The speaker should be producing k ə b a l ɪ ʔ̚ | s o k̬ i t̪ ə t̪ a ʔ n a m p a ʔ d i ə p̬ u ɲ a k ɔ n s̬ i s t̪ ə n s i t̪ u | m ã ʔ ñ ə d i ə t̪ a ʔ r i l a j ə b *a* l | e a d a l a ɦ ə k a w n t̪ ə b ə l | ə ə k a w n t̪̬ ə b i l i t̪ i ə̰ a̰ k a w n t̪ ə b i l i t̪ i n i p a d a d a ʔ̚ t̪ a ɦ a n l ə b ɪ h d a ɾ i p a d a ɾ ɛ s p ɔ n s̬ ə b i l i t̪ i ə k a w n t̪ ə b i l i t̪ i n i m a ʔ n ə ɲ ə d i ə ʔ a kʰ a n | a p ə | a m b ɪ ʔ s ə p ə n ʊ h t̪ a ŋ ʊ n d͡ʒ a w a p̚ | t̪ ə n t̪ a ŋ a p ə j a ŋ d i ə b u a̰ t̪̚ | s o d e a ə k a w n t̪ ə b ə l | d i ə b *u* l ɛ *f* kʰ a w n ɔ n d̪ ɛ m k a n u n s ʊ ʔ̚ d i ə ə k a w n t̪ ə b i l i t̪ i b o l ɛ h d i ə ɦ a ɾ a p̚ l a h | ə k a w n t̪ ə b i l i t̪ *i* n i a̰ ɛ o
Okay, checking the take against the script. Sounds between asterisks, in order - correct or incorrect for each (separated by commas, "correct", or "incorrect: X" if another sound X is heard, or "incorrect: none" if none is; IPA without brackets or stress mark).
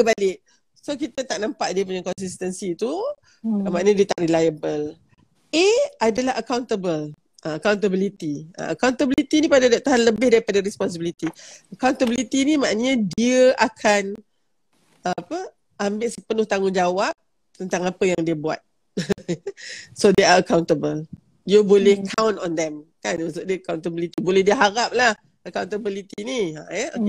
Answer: incorrect: ə, incorrect: o, incorrect: h, correct